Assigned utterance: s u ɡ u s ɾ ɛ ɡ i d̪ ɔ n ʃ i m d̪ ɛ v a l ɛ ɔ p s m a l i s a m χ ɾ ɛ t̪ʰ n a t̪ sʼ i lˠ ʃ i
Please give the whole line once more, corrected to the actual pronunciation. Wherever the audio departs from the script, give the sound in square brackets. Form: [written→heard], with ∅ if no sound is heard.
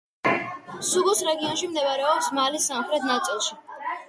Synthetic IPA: s u ɡ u s ɾ ɛ ɡ i [d̪→∅] ɔ n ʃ i m d̪ ɛ v a [l→ɾ] ɛ ɔ p s m a l i s a m χ ɾ ɛ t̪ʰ n a t̪ sʼ i lˠ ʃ i